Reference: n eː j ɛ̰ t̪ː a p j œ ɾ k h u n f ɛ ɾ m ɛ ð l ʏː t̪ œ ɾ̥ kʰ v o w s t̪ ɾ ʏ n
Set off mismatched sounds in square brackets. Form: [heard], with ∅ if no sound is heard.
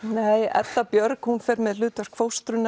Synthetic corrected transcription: n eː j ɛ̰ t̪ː a p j œ ɾ k h u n f ɛ ɾ m ɛ ð l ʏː t̪ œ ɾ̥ kʰ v o w s t̪ ɾ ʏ n